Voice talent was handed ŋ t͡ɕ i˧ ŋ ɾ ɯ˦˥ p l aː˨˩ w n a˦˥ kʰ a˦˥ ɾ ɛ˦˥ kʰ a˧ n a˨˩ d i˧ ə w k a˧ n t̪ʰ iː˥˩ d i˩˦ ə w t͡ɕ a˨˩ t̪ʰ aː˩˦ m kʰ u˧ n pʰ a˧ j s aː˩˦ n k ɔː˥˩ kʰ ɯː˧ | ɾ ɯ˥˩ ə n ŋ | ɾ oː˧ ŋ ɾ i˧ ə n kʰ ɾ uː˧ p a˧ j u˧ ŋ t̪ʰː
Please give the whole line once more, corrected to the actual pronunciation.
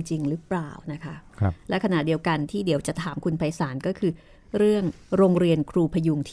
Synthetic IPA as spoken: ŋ t͡ɕ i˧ ŋ ɾ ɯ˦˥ p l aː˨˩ w n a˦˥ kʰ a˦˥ l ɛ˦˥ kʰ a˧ n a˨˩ d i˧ ə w k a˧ n t̪ʰ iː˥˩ d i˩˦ ə w t͡ɕ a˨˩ t̪ʰ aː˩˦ m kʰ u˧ n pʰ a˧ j s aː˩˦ n k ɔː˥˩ kʰ ɯː˧ | ɾ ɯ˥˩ ə ŋ | ɾ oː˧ ŋ ɾ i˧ ə n kʰ ɾ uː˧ pʰ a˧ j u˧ ŋ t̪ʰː